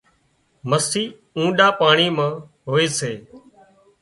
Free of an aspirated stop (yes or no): yes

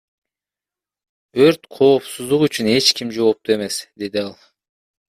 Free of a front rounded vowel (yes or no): no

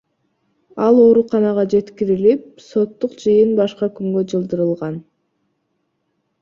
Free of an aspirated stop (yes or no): yes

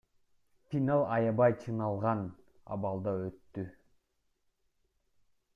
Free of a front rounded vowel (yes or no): no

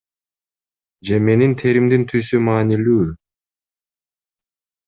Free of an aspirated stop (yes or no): no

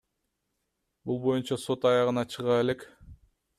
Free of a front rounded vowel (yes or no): yes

